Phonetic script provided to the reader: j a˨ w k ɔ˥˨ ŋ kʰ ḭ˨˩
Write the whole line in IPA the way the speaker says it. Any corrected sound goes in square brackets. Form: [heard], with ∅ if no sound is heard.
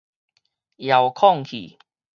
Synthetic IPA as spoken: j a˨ w [kʰ] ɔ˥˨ ŋ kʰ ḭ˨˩